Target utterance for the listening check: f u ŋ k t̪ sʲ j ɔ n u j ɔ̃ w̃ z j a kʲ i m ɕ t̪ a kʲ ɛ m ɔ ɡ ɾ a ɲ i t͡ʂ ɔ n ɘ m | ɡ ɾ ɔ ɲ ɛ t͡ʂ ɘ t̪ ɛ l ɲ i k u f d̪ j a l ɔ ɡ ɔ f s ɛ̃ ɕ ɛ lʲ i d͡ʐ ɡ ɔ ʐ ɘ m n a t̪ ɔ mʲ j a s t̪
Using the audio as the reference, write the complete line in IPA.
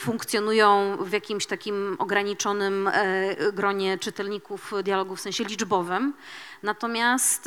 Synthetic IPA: f u ŋ k t̪ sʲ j ɔ n u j ɔ̃ w̃ v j a kʲ i m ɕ t̪ a kʲ i m ɔ ɡ ɾ a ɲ i t͡ʂ ɔ n ɘ m | ɡ ɾ ɔ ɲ ɛ t͡ʂ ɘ t̪ ɛ l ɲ i k u f d̪ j a l ɔ ɡ u f s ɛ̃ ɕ ɛ lʲ i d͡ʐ b ɔ v ɘ m n a t̪ ɔ mʲ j a s t̪